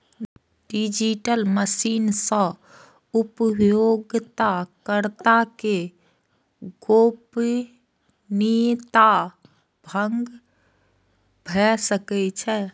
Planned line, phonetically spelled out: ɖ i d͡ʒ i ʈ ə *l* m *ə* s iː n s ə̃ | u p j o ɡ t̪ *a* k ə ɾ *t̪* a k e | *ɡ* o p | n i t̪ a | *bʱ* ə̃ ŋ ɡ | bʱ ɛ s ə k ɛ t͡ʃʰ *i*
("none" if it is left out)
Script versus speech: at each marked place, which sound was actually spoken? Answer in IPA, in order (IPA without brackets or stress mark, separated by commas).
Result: l, ə, a, t̪, ɡ, bʱ, ɛ